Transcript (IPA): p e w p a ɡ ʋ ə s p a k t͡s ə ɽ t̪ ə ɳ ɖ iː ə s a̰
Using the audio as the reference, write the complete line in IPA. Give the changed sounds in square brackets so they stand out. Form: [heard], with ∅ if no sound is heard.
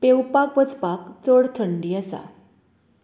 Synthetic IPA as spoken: p e w p a [k] ʋ ə [t͡s] p a k t͡s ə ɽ [t̪ʰ] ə ɳ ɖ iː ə s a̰